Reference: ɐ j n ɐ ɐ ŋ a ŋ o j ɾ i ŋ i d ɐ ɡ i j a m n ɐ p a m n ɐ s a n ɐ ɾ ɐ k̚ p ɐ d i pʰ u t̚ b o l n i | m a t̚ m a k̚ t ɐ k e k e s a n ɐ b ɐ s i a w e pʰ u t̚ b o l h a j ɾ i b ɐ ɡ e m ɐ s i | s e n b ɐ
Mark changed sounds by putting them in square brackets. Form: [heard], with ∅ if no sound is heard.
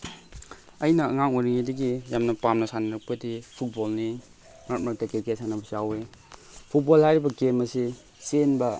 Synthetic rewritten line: ɐ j n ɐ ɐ ŋ a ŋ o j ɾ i ŋ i d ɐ ɡ i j a m n ɐ p a m n ɐ s a n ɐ ɾ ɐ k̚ p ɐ d i pʰ u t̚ b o l n i | m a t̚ m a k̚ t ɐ k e k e s a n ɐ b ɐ s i a w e pʰ u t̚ b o l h a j ɾ i b ɐ ɡ e m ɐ s i | s e n b ɐ